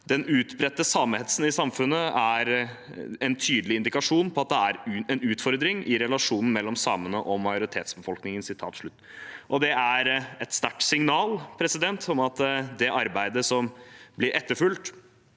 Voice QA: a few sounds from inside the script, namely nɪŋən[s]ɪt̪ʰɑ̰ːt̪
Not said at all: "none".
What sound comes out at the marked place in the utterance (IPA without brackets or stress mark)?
s